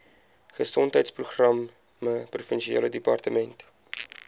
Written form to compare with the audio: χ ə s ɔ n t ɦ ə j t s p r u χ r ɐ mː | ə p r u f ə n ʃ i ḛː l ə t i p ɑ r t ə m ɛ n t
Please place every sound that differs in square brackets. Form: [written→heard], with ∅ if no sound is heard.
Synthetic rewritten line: χ ə s ɔ n t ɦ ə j t s p r u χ r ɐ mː | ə p r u f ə n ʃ i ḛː l ə [t→d] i p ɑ r t ə m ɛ n t